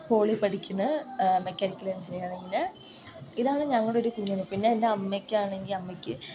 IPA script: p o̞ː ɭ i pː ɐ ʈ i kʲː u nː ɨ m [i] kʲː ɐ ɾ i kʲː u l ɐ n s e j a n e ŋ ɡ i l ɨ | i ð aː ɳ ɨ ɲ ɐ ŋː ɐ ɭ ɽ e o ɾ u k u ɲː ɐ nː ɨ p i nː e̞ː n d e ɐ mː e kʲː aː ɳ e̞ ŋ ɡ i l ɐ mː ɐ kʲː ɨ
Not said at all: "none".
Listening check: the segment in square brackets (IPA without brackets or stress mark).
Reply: e